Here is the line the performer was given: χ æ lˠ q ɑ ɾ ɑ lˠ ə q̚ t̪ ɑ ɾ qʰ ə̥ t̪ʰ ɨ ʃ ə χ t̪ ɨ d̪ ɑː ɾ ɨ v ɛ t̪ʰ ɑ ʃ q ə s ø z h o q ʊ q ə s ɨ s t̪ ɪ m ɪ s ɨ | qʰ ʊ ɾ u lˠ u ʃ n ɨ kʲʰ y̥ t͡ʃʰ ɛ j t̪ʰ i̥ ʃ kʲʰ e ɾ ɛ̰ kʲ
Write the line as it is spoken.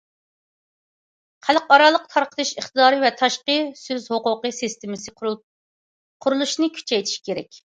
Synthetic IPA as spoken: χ æ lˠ q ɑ ɾ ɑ lˠ ə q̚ t̪ʰ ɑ ɾ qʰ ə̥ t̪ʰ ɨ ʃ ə χ t̪ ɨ d̪ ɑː ɾ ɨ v ɛ t̪ʰ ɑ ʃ q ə s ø z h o q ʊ q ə s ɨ s t̪ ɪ m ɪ s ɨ | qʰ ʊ ɾ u lˠ u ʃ n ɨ kʲʰ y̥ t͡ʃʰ ɛ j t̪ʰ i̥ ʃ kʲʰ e ɾ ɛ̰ kʲ

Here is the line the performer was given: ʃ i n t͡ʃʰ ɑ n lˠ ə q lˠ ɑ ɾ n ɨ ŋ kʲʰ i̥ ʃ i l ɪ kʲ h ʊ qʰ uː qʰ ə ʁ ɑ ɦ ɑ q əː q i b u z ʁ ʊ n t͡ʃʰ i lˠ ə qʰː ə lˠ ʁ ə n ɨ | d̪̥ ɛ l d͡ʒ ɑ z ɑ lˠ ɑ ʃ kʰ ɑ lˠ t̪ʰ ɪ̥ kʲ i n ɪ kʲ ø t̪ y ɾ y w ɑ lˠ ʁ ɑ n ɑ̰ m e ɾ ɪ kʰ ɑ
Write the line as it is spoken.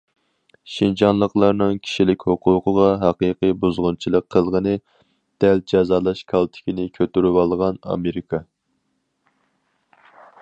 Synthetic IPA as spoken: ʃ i n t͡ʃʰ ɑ n lˠ ə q lˠ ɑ ɾ n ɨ ŋ kʲʰ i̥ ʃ i l ɪ kʲ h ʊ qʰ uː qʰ ə ʁ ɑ ɦ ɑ q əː q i b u z ʁ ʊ n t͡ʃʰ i lˠ ə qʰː ə lˠ ʁ ə n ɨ | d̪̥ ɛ l d͡ʒ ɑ z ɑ lˠ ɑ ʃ kʰ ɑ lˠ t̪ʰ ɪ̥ kʲ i n ɪ kʲʰ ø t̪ y ɾ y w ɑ lˠ ʁ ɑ n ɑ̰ m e ɾ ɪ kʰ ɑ

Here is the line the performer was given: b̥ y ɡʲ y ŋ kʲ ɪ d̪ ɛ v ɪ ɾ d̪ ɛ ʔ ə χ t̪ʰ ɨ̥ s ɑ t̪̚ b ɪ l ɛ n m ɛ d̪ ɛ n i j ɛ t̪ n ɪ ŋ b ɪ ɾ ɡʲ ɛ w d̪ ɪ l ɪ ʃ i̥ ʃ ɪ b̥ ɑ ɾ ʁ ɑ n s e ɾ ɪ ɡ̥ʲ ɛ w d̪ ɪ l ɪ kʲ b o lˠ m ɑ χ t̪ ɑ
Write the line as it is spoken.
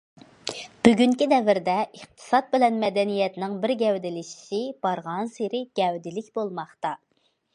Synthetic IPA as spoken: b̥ y ɡʲ y ŋ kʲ i d̪ ɛ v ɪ ɾ d̪ ɛ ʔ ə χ t̪ʰ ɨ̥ s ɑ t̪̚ b ɪ l ɛ n m ɛ d̪ ɛ n i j ɛ t̪ n ɪ ŋ b ɪ ɾ ɡʲ ɛ w d̪ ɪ l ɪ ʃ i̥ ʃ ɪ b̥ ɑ ɾ ʁ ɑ n s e ɾ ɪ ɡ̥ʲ ɛ w d̪ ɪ l ɪ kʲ b o lˠ m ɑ χ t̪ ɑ

